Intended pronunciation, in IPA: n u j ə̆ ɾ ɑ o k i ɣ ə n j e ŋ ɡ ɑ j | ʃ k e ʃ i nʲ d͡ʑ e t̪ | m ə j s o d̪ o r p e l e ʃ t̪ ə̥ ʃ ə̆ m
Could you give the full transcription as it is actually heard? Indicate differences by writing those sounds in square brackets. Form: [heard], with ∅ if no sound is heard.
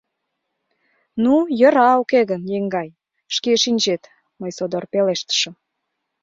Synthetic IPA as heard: n u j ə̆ ɾ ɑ o k [e] ɣ ə n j e ŋ ɡ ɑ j | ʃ k e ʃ i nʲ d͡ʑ e t̪ | m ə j s o d̪ o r p e l e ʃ t̪ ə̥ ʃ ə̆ m